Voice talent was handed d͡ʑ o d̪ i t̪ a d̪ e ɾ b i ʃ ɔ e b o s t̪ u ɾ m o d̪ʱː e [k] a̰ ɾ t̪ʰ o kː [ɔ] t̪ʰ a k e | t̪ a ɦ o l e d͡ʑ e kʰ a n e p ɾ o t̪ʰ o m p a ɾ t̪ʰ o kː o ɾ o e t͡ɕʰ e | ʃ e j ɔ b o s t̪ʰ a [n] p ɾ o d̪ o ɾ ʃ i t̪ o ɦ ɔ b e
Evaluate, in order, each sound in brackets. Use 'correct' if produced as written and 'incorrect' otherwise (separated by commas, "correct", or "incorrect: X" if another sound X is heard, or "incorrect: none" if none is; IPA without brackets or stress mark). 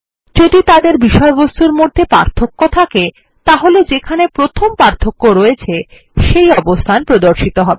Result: incorrect: p, incorrect: o, correct